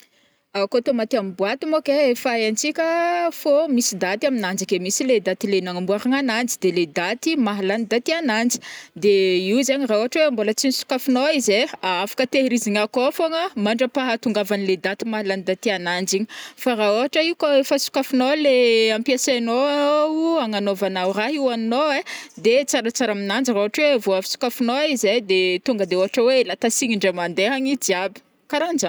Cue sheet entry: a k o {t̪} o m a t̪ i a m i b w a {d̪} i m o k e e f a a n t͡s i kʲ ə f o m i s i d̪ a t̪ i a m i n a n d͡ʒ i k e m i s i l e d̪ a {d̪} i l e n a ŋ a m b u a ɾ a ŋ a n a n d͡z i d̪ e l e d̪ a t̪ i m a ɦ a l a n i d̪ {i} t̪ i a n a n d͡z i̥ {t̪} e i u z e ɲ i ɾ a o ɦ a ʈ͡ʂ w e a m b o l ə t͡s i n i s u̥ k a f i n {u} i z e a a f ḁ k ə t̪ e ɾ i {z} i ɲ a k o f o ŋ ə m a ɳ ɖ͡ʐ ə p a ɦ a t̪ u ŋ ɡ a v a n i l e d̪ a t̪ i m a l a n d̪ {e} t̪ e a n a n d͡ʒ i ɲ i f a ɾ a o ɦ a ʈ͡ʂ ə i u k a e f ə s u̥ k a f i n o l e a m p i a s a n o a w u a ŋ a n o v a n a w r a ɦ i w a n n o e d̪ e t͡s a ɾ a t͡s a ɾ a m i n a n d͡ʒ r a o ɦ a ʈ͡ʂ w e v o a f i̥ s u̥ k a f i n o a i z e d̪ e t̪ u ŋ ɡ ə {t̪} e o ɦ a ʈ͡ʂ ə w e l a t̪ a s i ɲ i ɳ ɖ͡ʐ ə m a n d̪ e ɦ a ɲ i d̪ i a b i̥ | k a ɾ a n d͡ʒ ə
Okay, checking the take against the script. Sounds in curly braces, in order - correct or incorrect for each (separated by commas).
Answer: correct, incorrect, incorrect, incorrect, incorrect, incorrect, correct, incorrect, incorrect